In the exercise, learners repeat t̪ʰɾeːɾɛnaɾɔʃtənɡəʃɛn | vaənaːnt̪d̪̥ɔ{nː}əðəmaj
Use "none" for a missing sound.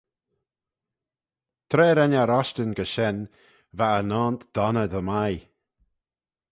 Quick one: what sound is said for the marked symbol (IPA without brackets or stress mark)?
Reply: n